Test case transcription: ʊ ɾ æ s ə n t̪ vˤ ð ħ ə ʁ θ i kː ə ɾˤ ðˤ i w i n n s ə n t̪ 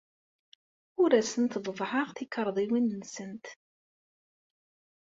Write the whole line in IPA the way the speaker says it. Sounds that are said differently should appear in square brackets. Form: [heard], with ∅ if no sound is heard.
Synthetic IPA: ʊ ɾ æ s ə n t̪ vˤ [v] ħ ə ʁ θ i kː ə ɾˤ ðˤ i w i n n s ə n t̪